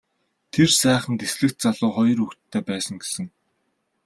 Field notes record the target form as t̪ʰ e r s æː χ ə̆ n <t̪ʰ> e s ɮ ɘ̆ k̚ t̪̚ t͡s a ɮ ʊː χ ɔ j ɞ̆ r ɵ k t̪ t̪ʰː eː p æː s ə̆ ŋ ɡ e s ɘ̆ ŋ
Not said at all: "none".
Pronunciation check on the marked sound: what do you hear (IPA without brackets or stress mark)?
t̪